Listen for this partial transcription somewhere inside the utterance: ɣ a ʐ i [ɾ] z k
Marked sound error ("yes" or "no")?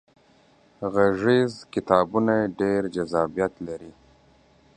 yes